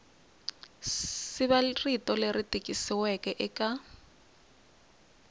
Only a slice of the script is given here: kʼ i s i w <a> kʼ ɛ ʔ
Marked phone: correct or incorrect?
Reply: incorrect